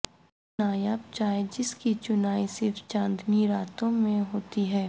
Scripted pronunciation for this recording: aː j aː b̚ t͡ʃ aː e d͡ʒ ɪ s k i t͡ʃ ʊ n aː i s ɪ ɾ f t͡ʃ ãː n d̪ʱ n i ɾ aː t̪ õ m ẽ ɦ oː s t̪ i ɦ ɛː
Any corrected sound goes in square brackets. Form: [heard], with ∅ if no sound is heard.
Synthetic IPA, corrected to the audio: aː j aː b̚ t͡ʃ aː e d͡ʒ ɪ s k i t͡ʃ ʊ n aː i s ɪ ɾ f t͡ʃ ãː n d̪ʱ n i ɾ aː t̪ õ m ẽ ɦ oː [∅] t̪ i ɦ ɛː